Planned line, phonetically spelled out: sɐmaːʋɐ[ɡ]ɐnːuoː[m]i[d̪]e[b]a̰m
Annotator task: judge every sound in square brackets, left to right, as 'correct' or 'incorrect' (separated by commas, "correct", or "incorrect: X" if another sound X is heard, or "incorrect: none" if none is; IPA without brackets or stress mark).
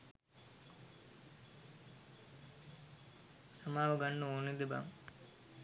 correct, incorrect: n, correct, correct